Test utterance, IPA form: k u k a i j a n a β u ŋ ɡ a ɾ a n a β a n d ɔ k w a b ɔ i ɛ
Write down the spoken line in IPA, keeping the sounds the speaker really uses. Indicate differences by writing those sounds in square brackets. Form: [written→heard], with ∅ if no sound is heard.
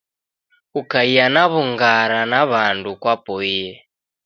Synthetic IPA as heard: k u k a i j a n a β u ŋ ɡ a ɾ a n a β a n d [ɔ→u] k w a [b→p] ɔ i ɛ